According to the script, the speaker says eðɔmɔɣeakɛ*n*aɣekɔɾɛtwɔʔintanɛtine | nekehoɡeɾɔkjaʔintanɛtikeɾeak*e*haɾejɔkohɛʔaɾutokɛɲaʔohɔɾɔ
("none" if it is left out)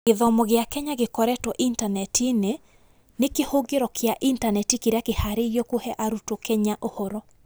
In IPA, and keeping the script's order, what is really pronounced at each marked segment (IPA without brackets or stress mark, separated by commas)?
ɲ, e